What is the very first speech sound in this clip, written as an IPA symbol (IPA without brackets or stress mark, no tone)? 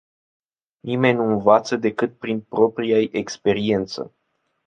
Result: n